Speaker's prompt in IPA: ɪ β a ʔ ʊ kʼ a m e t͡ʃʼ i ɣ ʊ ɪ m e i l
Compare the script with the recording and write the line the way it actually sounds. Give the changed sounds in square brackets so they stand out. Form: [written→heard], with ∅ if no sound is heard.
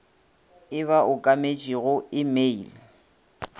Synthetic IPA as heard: ɪ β a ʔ ʊ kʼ a m e t͡ʃʼ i ɣ ʊ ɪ m e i l